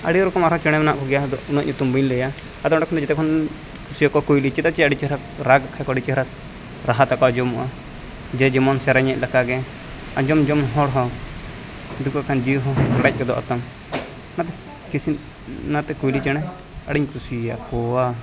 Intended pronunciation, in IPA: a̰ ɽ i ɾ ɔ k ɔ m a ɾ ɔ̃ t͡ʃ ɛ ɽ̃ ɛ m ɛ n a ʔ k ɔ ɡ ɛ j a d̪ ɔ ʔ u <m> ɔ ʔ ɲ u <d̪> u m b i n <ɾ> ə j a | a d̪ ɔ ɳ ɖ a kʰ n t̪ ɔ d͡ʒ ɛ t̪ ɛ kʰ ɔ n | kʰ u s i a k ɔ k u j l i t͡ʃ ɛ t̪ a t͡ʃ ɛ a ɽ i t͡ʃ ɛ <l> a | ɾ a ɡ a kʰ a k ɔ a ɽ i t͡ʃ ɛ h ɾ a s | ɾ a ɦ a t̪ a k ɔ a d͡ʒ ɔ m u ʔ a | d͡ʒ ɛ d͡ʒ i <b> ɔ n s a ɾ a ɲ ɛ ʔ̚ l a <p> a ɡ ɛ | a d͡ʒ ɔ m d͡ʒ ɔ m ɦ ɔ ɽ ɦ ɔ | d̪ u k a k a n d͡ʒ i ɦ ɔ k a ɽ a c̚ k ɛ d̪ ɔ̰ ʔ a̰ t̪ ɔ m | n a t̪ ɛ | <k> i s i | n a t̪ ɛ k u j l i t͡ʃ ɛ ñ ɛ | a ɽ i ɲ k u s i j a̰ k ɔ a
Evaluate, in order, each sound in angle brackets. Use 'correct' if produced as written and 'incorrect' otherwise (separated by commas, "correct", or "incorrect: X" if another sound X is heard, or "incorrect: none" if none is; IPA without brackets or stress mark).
incorrect: n, incorrect: t̪, incorrect: l, incorrect: ɾ, incorrect: m, incorrect: k, correct